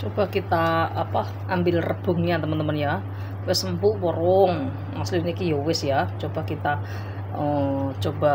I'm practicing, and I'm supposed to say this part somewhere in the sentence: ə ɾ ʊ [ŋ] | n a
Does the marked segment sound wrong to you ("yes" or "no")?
no